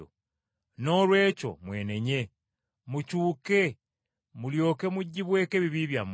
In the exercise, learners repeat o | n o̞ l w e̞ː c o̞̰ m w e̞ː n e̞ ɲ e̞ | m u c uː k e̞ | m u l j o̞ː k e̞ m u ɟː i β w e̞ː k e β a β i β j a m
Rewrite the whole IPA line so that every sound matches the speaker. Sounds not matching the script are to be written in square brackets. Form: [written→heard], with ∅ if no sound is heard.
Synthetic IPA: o | n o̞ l w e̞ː c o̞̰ m w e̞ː n e̞ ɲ e̞ | m u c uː k e̞ | m u l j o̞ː k e̞ m u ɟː i β w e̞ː k e β [a→i] β i β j a m